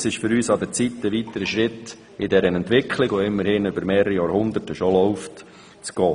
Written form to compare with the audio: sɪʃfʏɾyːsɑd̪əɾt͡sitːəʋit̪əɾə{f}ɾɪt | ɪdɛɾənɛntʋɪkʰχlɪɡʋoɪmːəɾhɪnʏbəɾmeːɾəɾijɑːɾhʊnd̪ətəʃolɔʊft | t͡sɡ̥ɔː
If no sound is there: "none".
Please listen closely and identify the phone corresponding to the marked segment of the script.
ʃ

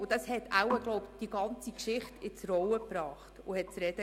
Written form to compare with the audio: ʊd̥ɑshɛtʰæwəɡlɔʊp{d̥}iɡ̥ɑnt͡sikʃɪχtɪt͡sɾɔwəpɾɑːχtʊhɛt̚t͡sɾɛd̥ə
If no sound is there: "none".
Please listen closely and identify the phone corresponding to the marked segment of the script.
d̥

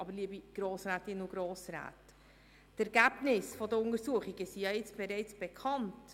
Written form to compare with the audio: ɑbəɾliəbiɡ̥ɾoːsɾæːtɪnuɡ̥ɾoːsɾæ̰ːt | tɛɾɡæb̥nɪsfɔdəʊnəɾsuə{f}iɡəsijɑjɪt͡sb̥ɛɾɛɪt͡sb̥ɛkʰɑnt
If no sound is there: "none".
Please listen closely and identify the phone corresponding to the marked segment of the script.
χ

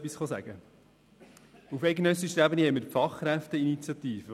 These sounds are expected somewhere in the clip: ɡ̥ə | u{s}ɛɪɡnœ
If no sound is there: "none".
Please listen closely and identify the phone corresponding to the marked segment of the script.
f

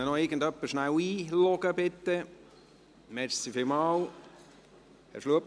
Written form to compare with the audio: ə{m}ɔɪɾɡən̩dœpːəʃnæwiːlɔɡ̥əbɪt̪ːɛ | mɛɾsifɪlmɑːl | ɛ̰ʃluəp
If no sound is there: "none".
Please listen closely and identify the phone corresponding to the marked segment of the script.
n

